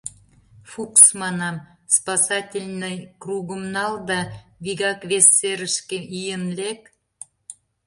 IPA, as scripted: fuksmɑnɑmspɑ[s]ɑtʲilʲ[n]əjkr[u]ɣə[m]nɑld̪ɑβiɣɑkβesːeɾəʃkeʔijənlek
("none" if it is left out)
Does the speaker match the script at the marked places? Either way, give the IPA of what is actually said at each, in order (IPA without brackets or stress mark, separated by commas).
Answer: s, n, u, m